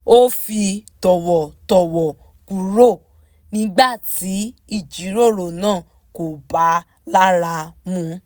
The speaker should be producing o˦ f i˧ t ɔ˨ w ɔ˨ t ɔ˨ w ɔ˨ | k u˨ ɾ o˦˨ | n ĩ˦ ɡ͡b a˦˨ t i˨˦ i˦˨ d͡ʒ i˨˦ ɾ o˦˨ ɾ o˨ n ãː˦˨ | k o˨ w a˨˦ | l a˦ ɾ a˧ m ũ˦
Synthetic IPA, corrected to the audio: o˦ f i˧ t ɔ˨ w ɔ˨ t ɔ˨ w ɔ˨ | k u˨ ɾ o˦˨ | n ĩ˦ ɡ͡b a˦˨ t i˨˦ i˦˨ d͡ʒ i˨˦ ɾ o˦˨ ɾ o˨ n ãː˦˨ | k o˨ b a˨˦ | l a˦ ɾ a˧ m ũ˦

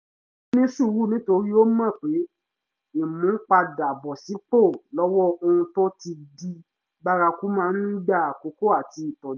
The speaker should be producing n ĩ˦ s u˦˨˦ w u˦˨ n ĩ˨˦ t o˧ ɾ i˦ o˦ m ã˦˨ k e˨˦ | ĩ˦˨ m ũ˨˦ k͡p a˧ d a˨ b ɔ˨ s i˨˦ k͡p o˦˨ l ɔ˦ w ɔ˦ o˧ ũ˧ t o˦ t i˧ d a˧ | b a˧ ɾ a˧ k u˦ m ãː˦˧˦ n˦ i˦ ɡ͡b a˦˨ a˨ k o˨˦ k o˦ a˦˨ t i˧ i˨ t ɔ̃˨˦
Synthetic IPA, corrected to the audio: n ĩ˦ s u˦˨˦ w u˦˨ n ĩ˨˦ t o˧ ɾ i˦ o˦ m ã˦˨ k͡p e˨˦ | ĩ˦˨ m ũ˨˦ k͡p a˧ d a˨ b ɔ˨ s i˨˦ k͡p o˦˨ l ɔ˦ w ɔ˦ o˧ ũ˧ t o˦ t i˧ d i˧ | b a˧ ɾ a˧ k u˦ m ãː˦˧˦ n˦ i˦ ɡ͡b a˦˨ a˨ k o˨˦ k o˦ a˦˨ t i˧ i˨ t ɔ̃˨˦

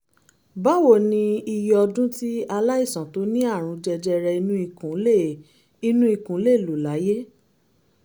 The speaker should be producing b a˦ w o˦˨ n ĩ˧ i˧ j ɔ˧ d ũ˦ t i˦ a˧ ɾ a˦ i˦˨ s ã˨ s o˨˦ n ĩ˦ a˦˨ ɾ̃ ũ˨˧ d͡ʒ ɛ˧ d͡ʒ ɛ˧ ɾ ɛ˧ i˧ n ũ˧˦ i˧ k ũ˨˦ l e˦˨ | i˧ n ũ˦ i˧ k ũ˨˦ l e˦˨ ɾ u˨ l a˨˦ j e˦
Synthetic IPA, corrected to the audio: b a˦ w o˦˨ n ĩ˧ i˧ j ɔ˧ d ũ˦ t i˦ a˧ l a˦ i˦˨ s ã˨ t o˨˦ n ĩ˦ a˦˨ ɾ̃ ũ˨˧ d͡ʒ ɛ˧ d͡ʒ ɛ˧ ɾ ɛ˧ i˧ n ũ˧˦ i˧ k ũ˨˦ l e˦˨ | i˧ n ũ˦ i˧ k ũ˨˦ l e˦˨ l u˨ l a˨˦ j e˦

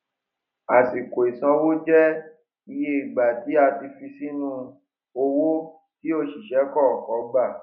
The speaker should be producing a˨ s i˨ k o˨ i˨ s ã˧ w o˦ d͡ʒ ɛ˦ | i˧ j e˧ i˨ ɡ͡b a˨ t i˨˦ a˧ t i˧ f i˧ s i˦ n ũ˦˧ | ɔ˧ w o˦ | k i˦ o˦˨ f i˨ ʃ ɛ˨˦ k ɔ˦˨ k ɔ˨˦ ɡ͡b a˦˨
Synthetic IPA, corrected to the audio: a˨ s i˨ k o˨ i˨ s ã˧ w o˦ d͡ʒ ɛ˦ | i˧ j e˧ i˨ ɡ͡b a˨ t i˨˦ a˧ t i˧ f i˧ s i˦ n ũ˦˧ | o˧ w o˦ | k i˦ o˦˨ ʃ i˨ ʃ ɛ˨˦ k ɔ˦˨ k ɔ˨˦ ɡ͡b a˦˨

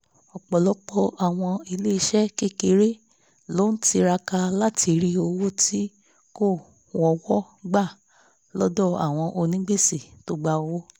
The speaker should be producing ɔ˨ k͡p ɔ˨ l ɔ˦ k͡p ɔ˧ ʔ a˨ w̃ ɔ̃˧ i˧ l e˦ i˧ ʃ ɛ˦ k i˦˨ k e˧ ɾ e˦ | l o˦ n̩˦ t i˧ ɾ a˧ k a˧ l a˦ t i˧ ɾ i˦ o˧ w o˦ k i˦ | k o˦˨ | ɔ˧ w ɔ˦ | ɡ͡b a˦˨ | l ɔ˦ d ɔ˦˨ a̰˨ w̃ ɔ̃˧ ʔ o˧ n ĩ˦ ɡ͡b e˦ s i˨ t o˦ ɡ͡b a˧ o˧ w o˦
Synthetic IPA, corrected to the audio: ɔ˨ k͡p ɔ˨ l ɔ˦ k͡p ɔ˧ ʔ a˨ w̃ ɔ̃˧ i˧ l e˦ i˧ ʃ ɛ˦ k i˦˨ k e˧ ɾ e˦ | l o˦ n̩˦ t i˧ ɾ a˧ k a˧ l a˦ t i˧ ɾ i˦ o˧ w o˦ t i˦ | k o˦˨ | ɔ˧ w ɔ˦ | ɡ͡b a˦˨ | l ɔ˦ d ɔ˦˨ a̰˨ w̃ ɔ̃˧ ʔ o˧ n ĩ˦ ɡ͡b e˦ s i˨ t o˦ ɡ͡b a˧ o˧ w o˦

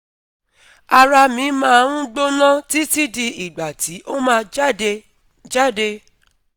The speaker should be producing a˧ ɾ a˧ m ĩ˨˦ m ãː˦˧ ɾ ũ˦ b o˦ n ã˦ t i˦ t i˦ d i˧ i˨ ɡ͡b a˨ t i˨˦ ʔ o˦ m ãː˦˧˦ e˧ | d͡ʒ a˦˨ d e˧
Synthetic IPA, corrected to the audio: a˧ ɾ a˧ m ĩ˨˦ m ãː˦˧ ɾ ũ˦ ɡ͡b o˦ n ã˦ t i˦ t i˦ d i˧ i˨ ɡ͡b a˨ t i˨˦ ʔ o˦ m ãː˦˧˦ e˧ | d͡ʒ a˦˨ d e˧

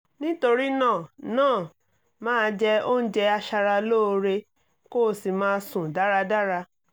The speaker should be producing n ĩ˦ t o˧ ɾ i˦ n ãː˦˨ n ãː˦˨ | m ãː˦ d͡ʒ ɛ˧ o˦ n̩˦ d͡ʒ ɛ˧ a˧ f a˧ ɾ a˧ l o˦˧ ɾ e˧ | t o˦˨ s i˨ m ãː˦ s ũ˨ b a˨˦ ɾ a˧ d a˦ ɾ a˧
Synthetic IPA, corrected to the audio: n ĩ˦ t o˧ ɾ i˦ n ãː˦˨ n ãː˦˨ | m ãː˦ d͡ʒ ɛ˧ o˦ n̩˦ d͡ʒ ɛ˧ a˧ ʃ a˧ ɾ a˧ l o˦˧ ɾ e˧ | k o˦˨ s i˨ m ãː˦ s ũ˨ d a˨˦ ɾ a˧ d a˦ ɾ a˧

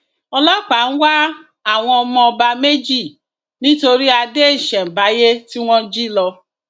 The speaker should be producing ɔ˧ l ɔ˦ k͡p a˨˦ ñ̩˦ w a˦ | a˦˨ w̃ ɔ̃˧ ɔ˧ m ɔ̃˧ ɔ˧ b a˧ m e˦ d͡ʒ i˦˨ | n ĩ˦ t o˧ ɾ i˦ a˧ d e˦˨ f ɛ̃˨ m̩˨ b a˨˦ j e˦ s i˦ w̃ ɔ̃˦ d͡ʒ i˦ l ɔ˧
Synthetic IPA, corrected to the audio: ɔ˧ l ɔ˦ k͡p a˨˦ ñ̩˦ w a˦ | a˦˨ w̃ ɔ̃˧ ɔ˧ m ɔ̃˧ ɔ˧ b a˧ m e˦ d͡ʒ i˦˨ | n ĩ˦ t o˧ ɾ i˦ a˧ d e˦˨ ʃ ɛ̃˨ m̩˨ b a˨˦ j e˦ t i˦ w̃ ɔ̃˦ d͡ʒ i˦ l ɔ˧

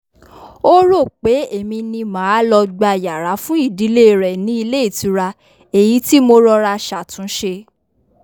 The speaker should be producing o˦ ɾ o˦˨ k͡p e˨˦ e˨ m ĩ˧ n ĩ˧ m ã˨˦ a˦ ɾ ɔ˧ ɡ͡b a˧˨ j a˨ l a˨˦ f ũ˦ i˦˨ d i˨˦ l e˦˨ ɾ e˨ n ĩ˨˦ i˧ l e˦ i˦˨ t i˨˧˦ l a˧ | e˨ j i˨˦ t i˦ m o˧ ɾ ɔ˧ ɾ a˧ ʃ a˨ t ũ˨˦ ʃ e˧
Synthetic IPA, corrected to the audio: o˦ ɾ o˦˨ k͡p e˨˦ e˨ m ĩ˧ n ĩ˧ m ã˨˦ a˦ l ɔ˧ ɡ͡b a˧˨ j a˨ ɾ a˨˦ f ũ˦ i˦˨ d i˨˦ l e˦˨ ɾ ɛ˨ n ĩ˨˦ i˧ l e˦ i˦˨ t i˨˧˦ ɾ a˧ | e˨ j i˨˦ t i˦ m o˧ ɾ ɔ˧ ɾ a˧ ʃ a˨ t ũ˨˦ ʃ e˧

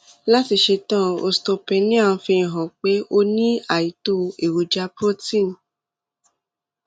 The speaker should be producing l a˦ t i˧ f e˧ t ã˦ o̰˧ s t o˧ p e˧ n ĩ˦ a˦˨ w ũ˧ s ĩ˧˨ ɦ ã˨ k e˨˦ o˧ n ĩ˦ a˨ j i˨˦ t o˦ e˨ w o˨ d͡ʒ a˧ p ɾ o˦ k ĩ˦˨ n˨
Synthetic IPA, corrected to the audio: l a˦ t i˧ ʃ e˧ t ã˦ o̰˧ s t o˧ p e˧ n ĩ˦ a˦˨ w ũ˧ f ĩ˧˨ ɦ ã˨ k͡p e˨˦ o˧ n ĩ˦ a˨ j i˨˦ t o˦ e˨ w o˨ d͡ʒ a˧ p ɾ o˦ t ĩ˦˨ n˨

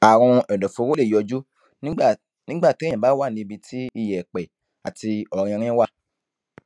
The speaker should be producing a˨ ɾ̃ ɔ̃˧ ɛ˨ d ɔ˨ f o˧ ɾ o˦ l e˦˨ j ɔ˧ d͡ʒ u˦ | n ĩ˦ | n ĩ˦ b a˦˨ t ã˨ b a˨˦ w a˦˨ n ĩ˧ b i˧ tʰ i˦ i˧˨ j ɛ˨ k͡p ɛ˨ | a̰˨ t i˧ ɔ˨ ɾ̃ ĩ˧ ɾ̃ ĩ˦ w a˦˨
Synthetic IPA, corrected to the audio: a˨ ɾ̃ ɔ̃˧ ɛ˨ d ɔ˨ f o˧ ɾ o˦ l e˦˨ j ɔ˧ d͡ʒ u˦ | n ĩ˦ | n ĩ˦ ɡ͡b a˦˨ t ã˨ b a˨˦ w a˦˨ n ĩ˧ b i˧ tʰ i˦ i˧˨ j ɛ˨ k͡p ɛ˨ | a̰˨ t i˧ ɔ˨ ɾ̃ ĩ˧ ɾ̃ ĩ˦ w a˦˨

